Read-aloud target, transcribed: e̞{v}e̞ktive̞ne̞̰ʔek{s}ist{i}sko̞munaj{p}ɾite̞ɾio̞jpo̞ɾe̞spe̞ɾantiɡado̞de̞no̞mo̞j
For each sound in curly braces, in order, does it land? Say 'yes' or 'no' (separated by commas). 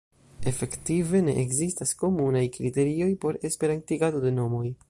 no, no, no, no